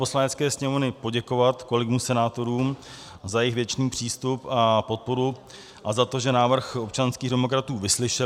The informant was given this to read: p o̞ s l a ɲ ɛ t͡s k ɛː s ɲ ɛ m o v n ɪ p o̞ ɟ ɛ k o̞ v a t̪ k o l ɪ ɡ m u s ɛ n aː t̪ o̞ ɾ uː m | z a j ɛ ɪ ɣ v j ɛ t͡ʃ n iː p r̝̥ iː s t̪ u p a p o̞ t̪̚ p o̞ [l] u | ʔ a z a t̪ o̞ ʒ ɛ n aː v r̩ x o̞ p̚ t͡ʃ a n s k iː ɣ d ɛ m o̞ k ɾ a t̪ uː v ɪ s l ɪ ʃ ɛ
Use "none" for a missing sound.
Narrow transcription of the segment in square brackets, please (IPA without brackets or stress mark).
ɾ